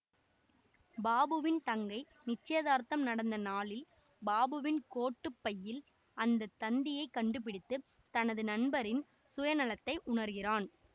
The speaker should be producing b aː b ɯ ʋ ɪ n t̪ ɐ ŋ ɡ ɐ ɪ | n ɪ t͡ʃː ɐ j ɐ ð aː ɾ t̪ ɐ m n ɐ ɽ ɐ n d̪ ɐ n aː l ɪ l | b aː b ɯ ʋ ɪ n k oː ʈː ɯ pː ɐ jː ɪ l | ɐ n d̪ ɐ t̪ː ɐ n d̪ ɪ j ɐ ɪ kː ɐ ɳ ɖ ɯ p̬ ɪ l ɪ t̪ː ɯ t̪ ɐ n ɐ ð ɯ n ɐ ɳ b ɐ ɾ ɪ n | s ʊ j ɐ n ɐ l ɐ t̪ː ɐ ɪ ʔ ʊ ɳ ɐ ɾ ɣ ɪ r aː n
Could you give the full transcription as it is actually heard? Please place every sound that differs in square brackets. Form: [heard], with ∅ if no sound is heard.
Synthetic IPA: b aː b ɯ ʋ ɪ n t̪ ɐ ŋ ɡ ɐ ɪ | n ɪ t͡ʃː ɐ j ɐ ð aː ɾ t̪ ɐ m n ɐ ɽ ɐ n d̪ ɐ n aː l ɪ l | b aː b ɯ ʋ ɪ n k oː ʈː ɯ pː ɐ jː ɪ l | ɐ n d̪ ɐ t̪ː ɐ n d̪ ɪ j ɐ ɪ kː ɐ ɳ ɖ ɯ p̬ ɪ [ɽ] ɪ t̪ː ɯ t̪ ɐ n ɐ ð ɯ n ɐ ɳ b ɐ ɾ ɪ n | s ʊ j ɐ n ɐ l ɐ t̪ː ɐ ɪ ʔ ʊ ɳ ɐ ɾ ɣ ɪ r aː n